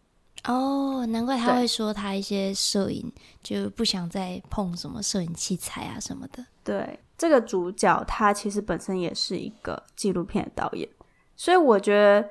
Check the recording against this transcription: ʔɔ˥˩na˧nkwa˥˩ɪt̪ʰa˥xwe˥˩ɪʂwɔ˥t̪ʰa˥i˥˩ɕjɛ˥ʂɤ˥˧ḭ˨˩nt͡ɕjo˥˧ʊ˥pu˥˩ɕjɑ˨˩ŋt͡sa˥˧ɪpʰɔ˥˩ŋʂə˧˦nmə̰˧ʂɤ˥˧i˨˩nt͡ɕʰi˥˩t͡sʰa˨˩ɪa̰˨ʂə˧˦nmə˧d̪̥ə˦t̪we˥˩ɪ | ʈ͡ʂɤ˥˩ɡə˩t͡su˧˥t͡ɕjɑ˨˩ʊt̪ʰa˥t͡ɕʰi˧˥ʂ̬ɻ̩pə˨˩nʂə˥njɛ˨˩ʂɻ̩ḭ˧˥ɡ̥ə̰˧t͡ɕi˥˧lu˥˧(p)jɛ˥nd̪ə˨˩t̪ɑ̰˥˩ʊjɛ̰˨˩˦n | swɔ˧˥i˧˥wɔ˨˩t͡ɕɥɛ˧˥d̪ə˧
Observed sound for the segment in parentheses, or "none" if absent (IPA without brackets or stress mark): pʰ